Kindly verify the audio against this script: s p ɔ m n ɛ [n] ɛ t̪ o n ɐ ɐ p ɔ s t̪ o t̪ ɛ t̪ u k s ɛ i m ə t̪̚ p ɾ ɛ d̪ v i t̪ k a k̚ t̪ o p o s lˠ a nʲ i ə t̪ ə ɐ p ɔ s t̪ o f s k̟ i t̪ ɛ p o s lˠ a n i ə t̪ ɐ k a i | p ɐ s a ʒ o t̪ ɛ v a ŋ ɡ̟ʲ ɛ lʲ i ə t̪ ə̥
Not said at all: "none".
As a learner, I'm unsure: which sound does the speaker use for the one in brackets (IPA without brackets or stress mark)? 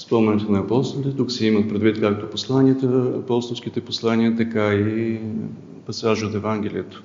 n